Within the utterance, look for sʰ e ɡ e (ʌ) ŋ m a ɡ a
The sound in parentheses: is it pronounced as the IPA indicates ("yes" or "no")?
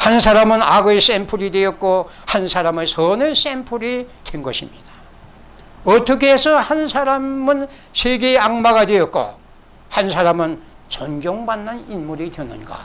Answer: no